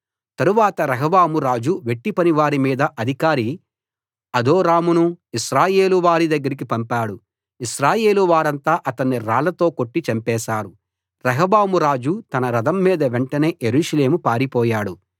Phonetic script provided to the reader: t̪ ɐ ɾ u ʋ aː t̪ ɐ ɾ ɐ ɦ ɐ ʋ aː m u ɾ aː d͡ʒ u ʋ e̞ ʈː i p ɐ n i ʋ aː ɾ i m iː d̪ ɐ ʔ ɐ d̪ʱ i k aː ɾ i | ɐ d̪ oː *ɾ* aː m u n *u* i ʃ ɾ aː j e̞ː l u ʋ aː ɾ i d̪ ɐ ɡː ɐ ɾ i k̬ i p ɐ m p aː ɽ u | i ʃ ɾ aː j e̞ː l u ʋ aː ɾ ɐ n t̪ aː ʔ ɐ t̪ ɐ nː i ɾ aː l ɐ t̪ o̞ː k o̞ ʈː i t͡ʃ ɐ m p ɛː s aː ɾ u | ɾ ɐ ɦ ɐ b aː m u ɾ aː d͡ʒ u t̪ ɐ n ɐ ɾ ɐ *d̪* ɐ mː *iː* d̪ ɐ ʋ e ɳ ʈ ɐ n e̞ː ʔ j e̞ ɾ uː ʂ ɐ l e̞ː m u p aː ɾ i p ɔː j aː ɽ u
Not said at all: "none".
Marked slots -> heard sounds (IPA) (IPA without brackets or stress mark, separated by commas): ɾ, u, d̪, iː